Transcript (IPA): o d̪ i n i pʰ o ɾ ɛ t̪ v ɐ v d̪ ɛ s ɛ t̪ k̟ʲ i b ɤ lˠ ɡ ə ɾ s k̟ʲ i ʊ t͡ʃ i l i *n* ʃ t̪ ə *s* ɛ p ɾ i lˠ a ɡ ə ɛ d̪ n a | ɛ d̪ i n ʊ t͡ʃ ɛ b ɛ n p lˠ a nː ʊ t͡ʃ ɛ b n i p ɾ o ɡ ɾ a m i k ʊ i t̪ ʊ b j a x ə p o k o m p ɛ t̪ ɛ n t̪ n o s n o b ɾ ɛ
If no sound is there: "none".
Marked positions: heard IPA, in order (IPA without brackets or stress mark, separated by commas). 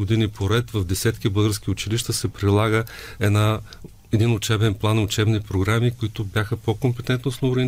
none, s